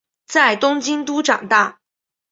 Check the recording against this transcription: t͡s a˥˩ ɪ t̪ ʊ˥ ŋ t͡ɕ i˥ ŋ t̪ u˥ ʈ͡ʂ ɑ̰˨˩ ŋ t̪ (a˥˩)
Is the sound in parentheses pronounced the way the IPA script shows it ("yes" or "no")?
yes